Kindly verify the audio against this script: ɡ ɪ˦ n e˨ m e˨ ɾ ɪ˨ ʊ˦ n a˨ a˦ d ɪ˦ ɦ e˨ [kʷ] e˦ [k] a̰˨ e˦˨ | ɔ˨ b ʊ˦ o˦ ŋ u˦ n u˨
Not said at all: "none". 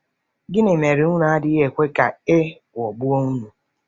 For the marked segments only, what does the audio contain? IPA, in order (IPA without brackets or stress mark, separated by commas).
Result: kʷ, k